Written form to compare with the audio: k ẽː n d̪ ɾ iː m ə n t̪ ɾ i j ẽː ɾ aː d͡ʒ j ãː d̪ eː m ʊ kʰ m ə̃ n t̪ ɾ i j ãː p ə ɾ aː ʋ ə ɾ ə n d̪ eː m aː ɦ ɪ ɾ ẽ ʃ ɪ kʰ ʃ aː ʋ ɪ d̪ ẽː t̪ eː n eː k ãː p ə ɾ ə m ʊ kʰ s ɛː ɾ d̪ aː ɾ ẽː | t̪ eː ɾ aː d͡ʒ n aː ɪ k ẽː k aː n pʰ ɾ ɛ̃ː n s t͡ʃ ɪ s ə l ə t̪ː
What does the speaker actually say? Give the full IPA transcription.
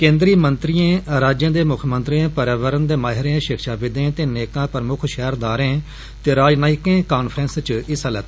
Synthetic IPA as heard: k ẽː n d̪ ɾ iː m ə n t̪ ɾ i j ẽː ɾ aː d͡ʒ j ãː d̪ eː m ʊ kʰ m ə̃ n t̪ ɾ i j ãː p ə ɾ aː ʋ ə ɾ ə n d̪ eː m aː ɦ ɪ ɾ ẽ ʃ ɪ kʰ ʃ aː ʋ ɪ d̪ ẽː t̪ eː n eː k ãː p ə ɾ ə m ʊ kʰ ʃ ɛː ɾ d̪ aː ɾ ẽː | t̪ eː ɾ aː d͡ʒ n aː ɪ k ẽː k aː n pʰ ɾ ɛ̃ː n s t͡ʃ ɪ s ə l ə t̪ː